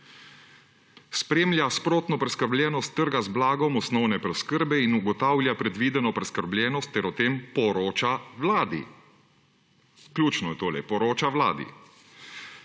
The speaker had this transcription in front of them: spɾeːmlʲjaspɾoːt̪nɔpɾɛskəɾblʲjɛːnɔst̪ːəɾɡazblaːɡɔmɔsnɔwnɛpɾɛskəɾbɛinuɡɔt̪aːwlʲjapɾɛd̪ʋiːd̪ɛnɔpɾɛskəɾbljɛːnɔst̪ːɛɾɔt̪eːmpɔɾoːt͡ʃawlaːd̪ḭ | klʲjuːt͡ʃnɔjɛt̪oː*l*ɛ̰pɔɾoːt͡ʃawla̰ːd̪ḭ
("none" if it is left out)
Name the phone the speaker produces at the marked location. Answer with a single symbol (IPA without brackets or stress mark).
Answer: l